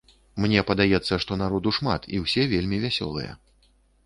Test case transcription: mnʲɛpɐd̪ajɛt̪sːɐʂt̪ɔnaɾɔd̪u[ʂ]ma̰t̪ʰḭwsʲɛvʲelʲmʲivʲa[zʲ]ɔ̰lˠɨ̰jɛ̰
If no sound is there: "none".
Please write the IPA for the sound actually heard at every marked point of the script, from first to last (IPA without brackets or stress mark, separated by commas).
ʂ, sʲ